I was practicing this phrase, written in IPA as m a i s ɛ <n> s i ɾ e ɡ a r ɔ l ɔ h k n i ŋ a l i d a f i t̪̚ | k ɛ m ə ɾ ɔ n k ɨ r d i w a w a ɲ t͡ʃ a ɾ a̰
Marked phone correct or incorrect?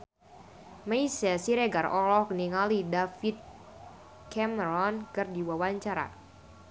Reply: incorrect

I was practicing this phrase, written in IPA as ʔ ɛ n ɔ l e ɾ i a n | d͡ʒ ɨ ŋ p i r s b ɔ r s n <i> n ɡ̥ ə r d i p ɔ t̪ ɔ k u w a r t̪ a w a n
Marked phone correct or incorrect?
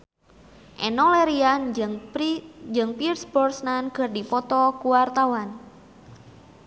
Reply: incorrect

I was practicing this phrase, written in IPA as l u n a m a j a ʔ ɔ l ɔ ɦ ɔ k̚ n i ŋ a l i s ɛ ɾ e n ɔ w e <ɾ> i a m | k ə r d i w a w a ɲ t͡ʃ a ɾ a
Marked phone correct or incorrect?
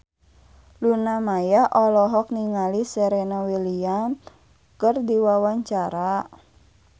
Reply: incorrect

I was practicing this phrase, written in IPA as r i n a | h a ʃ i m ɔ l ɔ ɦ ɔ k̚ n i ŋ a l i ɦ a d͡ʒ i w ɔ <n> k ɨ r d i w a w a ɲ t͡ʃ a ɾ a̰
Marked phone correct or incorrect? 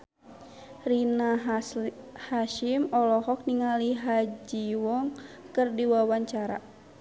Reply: incorrect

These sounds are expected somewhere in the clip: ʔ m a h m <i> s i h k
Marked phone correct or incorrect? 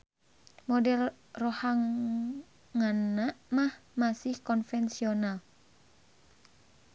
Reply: incorrect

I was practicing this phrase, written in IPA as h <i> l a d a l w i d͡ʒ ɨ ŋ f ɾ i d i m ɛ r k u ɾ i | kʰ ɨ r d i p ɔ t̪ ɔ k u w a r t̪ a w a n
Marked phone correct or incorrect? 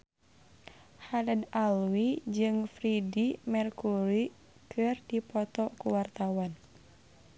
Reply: incorrect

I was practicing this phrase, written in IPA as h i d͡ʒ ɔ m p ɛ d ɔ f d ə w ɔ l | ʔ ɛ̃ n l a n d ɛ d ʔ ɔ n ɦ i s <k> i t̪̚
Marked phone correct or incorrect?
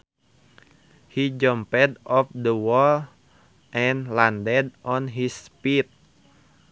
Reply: incorrect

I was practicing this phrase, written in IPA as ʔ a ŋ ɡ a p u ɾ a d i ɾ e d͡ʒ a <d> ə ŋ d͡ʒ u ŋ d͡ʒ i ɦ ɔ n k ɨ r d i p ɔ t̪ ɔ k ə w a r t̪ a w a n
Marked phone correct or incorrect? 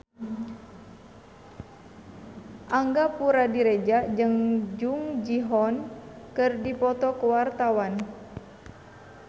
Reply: incorrect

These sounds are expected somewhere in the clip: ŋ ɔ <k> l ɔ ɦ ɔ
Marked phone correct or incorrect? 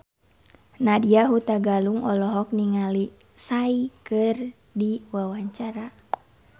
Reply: incorrect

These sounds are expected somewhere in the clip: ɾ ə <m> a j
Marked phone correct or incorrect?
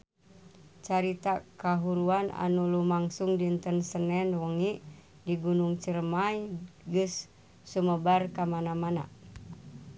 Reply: correct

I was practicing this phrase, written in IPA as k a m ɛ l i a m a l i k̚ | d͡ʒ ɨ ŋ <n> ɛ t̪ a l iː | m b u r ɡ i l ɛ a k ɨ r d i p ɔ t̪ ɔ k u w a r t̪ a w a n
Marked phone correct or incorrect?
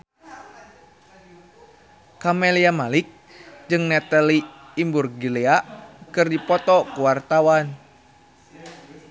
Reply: correct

